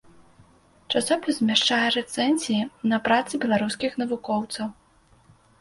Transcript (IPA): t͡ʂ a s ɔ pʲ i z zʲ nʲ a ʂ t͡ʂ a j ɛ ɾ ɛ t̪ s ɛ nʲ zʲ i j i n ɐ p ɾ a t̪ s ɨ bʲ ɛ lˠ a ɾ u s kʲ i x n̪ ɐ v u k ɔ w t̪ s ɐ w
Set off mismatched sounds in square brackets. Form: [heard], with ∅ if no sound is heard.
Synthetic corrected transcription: t͡ʂ a s ɔ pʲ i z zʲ [mʲ] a ʂ t͡ʂ a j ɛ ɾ ɛ t̪ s ɛ nʲ zʲ i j i n ɐ p ɾ a t̪ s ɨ bʲ ɛ lˠ a ɾ u s kʲ i x n̪ ɐ v u k ɔ w t̪ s ɐ w